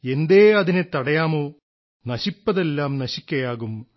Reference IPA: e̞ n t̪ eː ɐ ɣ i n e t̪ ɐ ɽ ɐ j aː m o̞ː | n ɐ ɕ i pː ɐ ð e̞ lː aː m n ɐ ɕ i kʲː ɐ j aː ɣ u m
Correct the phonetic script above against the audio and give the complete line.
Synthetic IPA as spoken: e̞ n d̪ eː ɐ ð i n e t̪ ɐ ɽ ɐ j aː m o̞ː | n ɐ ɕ i pː ɐ ð e̞ lː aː m n ɐ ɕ i kʲː ɐ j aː ɣ u m